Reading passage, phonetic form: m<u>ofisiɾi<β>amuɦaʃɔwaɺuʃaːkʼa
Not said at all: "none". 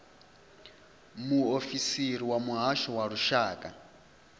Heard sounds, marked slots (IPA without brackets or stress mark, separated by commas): u, w